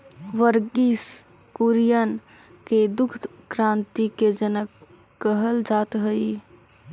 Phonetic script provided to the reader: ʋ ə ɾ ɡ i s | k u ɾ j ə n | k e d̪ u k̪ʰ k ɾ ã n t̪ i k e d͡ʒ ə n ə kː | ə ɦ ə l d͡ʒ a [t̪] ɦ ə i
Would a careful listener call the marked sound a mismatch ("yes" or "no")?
no